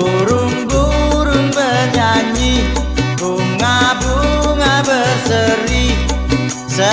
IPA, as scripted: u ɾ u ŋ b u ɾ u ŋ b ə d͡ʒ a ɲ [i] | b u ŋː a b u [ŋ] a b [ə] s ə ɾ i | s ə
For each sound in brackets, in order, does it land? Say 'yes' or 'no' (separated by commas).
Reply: yes, yes, yes